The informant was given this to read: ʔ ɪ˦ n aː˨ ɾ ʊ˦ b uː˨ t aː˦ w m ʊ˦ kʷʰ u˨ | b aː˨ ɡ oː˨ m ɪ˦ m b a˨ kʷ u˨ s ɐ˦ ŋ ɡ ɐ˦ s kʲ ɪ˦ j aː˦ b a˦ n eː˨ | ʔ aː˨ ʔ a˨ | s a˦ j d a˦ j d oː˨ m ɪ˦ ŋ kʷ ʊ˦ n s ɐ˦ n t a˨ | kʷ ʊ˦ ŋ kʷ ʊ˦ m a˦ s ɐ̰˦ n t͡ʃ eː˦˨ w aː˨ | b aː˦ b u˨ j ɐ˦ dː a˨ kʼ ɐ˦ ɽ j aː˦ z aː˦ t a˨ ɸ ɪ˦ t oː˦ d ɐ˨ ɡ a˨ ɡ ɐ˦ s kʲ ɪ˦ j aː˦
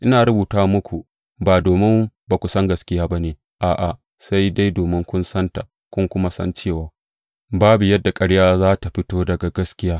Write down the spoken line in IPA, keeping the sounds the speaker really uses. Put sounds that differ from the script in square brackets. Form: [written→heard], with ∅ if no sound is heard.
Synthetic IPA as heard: ʔ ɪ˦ n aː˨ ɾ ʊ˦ b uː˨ t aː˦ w m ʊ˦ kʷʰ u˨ | b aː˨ [ɡ→d] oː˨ m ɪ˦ m b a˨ kʷ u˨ s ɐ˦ ŋ ɡ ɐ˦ s kʲ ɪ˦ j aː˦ b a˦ n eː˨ | ʔ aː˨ ʔ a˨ | s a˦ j d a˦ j d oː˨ m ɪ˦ ŋ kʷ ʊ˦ n s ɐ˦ n t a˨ | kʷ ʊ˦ ŋ kʷ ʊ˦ m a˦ s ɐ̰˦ n t͡ʃ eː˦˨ w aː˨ | b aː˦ b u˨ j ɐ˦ dː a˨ kʼ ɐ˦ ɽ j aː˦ z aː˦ t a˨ ɸ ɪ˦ t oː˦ d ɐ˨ ɡ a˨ ɡ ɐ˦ s kʲ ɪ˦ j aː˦